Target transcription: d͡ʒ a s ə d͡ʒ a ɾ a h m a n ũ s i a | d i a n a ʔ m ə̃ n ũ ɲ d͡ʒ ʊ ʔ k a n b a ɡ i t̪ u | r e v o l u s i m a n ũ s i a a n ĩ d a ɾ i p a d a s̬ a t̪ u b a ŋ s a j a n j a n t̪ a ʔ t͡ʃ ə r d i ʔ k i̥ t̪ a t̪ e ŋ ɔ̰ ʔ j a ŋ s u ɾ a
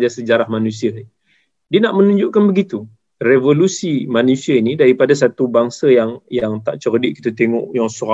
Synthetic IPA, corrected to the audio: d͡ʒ a s ə d͡ʒ a ɾ a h m a n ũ s i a | d i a n a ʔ m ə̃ n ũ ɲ d͡ʒ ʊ ʔ k a n b ə ɡ i t̪ u | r e v o l u s i m a n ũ s i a i n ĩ d a ɾ i p a d a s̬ a t̪ u b a ŋ s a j a ŋ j a ŋ t̪ a ʔ t͡ʃ ə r d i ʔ k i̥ t̪ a t̪ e ŋ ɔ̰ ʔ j a ŋ s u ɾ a